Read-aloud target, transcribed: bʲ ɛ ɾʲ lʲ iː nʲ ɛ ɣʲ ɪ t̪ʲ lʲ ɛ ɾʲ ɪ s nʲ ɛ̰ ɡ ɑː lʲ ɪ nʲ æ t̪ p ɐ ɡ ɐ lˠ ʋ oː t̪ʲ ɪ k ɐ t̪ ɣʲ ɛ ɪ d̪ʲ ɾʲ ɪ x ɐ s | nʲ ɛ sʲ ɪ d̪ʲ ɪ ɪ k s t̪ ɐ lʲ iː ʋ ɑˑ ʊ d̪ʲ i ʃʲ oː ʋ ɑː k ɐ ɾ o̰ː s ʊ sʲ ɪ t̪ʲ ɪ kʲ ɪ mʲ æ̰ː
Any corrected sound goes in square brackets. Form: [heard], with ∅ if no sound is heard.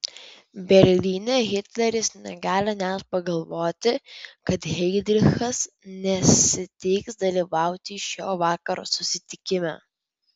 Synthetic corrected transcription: bʲ ɛ ɾʲ lʲ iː nʲ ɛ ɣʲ ɪ t̪ʲ lʲ ɛ ɾʲ ɪ s nʲ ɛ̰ ɡ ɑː lʲ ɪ nʲ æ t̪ p ɐ ɡ ɐ lˠ ʋ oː t̪ʲ ɪ k ɐ t̪ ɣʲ ɛ ɪ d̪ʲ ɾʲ ɪ x ɐ s | nʲ ɛ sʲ ɪ [t̪ʲ] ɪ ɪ k s [d̪] ɐ lʲ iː ʋ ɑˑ ʊ [t̪ʲ] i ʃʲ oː ʋ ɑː k ɐ ɾ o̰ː s ʊ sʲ ɪ t̪ʲ ɪ kʲ ɪ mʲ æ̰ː

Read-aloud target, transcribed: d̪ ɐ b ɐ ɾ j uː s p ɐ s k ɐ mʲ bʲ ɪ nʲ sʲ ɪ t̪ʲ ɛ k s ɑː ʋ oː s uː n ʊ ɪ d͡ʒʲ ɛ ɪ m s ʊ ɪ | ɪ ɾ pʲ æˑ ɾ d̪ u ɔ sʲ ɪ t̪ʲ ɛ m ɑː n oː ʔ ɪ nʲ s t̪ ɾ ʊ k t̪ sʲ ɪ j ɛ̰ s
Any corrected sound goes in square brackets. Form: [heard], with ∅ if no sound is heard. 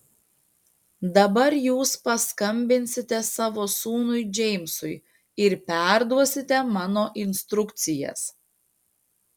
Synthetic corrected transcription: d̪ ɐ b ɐ ɾ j uː s p ɐ s k ɐ mʲ bʲ ɪ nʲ sʲ ɪ t̪ʲ ɛ [∅] s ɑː ʋ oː s uː n ʊ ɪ d͡ʒʲ ɛ ɪ m s ʊ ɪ | ɪ ɾ pʲ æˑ ɾ d̪ u ɔ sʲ ɪ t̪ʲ ɛ m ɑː n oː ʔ ɪ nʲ s t̪ ɾ ʊ k t̪ sʲ ɪ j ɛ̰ s

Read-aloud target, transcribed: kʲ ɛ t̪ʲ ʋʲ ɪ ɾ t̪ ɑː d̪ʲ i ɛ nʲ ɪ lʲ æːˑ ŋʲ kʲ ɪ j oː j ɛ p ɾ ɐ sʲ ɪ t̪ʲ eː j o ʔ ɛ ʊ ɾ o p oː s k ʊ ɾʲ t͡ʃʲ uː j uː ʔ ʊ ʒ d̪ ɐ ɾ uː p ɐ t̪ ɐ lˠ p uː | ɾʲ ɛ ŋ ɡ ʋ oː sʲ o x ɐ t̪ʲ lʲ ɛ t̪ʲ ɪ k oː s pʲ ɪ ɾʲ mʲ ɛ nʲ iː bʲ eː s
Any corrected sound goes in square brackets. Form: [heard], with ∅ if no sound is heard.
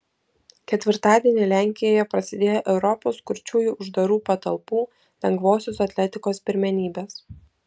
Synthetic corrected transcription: kʲ ɛ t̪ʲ ʋʲ ɪ ɾ t̪ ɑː d̪ʲ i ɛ nʲ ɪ lʲ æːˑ ŋʲ kʲ ɪ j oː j ɛ p ɾ ɐ sʲ ɪ [d̪ʲ] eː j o ʔ ɛ ʊ ɾ [ɔ] p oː s k ʊ ɾʲ t͡ʃʲ uː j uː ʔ ʊ ʒ d̪ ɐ ɾ uː p ɐ t̪ ɐ lˠ p uː | [lʲ] ɛ ŋ ɡ ʋ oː sʲ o [s] ɐ t̪ʲ lʲ ɛ t̪ʲ ɪ k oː s pʲ ɪ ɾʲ mʲ ɛ nʲ iː bʲ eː s

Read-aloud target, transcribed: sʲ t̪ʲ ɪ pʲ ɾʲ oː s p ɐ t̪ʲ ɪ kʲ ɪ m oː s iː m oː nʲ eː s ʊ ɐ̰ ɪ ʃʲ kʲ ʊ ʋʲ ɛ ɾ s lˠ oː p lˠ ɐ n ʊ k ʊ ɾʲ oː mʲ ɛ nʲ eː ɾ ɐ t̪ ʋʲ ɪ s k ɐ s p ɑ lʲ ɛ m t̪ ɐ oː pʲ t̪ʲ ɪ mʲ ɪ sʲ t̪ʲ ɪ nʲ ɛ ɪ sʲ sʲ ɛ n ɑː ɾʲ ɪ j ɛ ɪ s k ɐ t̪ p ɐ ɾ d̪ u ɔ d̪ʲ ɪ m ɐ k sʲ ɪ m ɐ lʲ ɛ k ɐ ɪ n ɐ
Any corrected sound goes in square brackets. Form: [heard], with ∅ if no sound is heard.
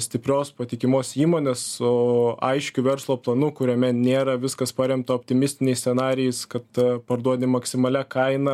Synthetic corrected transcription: sʲ t̪ʲ ɪ pʲ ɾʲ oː s p ɐ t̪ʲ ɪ kʲ ɪ m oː s iː m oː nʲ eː s ʊ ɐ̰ ɪ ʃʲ kʲ ʊ ʋʲ ɛ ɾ s lˠ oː p lˠ ɐ n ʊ k ʊ ɾʲ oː mʲ ɛ nʲ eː ɾ ɐ [∅] ʋʲ ɪ s k ɐ s p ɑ [ɾʲ] ɛ m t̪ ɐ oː pʲ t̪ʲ ɪ mʲ ɪ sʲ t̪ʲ ɪ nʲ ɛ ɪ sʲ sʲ ɛ n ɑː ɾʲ ɪ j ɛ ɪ s k ɐ t̪ p ɐ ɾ d̪ u ɔ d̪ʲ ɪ m ɐ k sʲ ɪ m ɐ lʲ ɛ k ɐ ɪ n ɐ

